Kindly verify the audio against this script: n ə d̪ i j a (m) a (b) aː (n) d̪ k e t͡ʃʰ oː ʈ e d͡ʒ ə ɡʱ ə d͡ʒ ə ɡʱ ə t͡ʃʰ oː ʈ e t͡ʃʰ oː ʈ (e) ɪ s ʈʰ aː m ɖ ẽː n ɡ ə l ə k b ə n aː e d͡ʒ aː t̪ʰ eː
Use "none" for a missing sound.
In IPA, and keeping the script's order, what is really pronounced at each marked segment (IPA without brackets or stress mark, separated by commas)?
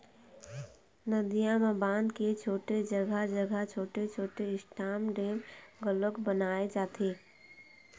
m, b, n, e